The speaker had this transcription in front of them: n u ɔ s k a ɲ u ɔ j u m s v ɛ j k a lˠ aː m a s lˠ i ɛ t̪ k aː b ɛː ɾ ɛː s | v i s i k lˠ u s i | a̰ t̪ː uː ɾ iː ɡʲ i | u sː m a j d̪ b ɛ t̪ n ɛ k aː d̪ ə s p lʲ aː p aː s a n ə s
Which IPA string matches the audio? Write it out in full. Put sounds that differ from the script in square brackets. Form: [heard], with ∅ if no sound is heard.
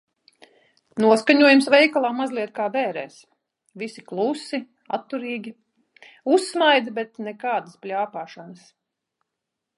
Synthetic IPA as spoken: n u ɔ s k a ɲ u ɔ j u m s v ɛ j k a lˠ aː m a [z] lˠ i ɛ t̪ k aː b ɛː ɾ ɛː s | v i s i k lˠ u s i | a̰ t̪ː [u] ɾ iː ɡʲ i | u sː m a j d̪ b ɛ t̪ n ɛ k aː d̪ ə s p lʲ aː p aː [ʃ] a n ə s

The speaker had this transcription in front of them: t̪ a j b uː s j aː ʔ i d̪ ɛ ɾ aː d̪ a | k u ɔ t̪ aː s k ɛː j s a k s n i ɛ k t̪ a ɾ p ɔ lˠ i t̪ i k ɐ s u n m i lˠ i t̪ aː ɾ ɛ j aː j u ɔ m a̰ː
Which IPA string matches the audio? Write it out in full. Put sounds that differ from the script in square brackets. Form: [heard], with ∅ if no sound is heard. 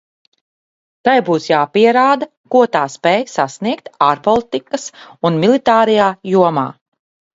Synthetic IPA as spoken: t̪ a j b uː s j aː [p] i [∅] ɛ ɾ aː d̪ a | k u ɔ t̪ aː s [p] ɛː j s a [∅] s n i ɛ k t̪ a ɾ p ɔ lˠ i t̪ i k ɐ s u n m i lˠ i t̪ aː ɾ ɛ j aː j u ɔ m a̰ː

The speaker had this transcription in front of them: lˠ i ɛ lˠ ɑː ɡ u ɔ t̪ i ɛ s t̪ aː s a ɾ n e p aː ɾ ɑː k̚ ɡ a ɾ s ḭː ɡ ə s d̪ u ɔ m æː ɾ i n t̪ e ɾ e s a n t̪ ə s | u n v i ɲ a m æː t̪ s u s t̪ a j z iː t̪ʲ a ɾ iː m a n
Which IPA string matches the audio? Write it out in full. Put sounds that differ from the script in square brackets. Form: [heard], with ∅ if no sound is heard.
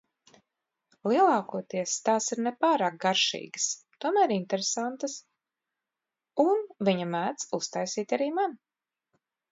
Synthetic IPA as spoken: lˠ i ɛ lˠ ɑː [k] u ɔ t̪ i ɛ s t̪ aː s [i] ɾ n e p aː ɾ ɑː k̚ ɡ a ɾ [ʃ] ḭː ɡ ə s [t̪] u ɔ m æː ɾ i n t̪ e ɾ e s a n t̪ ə s | u n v i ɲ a m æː t̪ s u s t̪ a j [s] iː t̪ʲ a ɾ iː m a n

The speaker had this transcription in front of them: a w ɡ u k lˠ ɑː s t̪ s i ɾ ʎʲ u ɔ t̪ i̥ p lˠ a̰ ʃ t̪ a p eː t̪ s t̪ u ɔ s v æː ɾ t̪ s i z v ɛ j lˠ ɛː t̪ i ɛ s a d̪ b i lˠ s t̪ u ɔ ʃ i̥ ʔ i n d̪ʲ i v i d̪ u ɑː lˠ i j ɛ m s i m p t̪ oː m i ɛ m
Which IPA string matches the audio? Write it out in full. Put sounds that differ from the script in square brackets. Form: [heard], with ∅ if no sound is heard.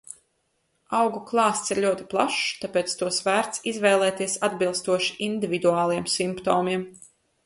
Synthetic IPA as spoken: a w ɡ u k lˠ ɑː s t̪ s i ɾ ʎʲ u ɔ t̪ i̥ p lˠ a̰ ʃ t̪ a p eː t̪ s t̪ u ɔ s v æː ɾ t̪ s i z v ɛ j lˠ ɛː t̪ i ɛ s a d̪ b i lˠ s t̪ u ɔ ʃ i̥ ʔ i n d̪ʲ i v i d̪ u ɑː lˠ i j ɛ m s i m p t̪ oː m i ɛ m

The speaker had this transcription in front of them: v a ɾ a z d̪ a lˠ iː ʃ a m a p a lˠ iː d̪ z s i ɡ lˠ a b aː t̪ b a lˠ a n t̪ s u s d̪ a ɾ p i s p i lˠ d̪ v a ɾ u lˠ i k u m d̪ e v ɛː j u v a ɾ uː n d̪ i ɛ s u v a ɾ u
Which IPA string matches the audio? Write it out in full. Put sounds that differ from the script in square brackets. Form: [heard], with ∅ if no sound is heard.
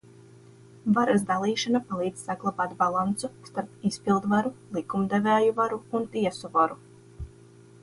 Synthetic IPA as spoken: v a ɾ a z d̪ a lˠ iː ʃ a [n] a p a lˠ iː d̪ z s [a] ɡ lˠ a b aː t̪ b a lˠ a n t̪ s u s [t̪] a ɾ p i s p i lˠ d̪ v a ɾ u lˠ i k u m d̪ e v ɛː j u v a ɾ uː n [t̪] i ɛ s u v a ɾ u

